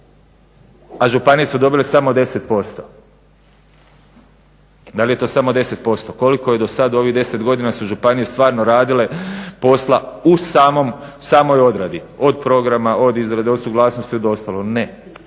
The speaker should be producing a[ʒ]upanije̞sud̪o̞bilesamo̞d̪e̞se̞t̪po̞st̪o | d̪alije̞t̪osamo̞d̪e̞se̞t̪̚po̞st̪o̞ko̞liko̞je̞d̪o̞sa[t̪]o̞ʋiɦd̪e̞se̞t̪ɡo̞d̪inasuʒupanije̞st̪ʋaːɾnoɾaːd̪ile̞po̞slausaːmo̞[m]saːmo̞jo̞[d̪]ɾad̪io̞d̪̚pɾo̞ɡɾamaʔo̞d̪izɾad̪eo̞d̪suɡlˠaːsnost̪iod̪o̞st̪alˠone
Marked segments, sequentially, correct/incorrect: correct, incorrect: d̪, correct, correct

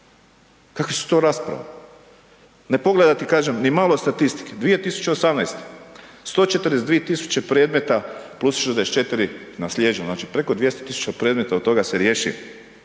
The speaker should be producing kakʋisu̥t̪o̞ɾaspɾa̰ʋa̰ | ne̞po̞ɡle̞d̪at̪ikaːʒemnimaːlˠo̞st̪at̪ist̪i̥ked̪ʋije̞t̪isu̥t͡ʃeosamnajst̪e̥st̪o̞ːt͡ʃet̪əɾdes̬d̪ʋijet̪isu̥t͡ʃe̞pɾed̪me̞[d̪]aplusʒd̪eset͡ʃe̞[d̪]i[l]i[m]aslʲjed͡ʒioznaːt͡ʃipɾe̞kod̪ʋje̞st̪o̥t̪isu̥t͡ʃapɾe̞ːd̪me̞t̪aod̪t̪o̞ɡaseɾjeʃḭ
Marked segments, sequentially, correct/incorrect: incorrect: t̪, incorrect: t̪, incorrect: ɾ, incorrect: n

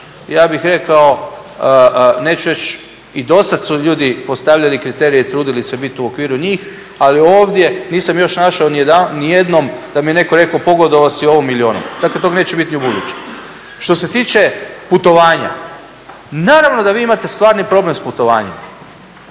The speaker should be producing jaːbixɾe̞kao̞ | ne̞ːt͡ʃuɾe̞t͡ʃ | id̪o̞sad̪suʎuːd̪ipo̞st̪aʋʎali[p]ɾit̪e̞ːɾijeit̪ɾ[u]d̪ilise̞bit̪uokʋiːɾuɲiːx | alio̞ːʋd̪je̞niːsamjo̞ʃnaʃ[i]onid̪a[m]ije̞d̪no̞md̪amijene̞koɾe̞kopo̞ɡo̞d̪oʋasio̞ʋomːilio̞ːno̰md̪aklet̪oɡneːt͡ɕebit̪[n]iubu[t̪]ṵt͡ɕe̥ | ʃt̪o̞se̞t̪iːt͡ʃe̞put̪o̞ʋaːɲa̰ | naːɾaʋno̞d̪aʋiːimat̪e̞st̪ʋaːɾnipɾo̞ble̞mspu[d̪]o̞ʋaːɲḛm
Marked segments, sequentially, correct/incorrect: incorrect: k, incorrect: uː, incorrect: a, incorrect: n, correct, incorrect: d̪, incorrect: t̪

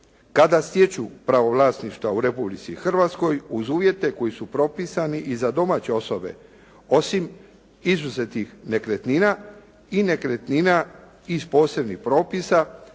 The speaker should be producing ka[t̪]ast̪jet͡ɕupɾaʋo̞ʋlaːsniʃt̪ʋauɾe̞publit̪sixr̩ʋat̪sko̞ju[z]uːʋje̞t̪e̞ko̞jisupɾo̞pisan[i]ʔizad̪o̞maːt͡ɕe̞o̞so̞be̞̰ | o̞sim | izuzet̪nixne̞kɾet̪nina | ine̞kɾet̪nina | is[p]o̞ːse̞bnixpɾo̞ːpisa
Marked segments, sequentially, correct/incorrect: incorrect: d̪, correct, correct, correct

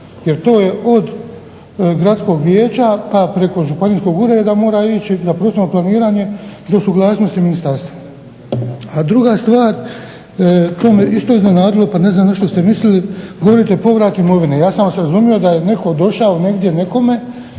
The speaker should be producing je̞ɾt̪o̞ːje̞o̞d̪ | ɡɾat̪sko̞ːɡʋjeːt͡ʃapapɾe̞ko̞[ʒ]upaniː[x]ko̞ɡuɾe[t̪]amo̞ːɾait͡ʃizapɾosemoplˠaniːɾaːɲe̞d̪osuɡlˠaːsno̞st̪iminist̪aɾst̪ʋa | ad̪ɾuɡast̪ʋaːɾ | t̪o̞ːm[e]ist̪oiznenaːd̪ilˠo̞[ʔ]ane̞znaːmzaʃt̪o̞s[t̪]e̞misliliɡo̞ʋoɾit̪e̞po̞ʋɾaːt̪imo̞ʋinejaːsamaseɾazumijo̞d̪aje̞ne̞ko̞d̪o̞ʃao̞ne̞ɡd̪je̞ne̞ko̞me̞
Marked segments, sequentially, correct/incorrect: correct, incorrect: s, incorrect: d̪, correct, incorrect: p, correct

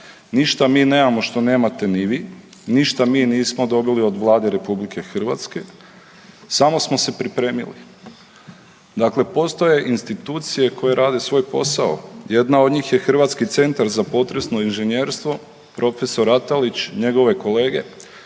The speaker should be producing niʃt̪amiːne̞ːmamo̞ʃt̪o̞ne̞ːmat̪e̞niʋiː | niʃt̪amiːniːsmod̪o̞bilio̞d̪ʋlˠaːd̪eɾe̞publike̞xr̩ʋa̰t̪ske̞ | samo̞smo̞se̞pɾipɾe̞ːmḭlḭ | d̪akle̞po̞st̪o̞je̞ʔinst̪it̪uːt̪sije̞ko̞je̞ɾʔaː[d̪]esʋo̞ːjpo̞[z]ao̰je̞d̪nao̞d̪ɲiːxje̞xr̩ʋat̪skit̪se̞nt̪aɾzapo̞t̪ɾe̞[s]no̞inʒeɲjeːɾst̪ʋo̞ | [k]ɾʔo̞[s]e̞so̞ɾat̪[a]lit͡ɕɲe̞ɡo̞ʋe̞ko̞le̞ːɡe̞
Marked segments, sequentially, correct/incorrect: correct, incorrect: s, correct, incorrect: p, incorrect: f, correct

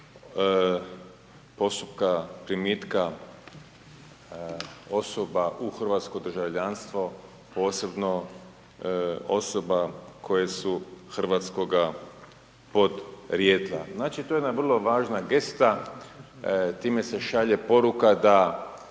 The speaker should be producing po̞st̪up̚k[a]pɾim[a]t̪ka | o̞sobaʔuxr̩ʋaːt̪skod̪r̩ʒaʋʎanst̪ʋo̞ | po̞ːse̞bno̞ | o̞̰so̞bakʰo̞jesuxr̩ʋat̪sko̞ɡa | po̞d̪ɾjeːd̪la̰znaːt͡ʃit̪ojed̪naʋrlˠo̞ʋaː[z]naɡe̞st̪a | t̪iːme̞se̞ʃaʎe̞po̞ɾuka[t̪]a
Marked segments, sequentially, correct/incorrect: correct, incorrect: i, incorrect: ʒ, incorrect: d̪

